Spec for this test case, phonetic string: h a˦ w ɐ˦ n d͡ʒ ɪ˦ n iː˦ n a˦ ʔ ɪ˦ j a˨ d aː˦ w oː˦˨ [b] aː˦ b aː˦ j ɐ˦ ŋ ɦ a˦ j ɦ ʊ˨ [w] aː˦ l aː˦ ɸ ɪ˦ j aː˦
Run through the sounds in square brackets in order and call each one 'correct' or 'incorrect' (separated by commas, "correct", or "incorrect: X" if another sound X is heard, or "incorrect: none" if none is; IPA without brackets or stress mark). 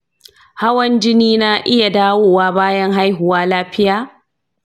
incorrect: w, correct